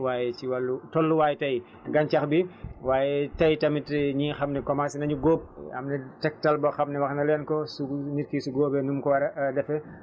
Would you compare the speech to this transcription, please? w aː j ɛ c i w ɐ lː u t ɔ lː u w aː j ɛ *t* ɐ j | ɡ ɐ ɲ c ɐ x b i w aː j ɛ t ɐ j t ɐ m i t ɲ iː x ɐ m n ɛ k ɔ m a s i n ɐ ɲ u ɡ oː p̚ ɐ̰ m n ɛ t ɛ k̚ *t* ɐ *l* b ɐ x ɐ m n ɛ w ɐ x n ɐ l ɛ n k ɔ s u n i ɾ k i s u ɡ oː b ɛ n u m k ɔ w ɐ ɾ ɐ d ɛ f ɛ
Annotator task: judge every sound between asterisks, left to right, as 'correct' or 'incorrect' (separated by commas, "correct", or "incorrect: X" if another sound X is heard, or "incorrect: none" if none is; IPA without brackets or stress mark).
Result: correct, correct, correct